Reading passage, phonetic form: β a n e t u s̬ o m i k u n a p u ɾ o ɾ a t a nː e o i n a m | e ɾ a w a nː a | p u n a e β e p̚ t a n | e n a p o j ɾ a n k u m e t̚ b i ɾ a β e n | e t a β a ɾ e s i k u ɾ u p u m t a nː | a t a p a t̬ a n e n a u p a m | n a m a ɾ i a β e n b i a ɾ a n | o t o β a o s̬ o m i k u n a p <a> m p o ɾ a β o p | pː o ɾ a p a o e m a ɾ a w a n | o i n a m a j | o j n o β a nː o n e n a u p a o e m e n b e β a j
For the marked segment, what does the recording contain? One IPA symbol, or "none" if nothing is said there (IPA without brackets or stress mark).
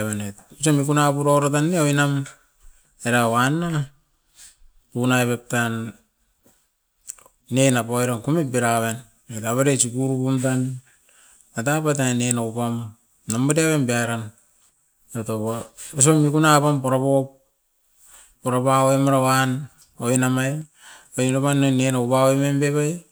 a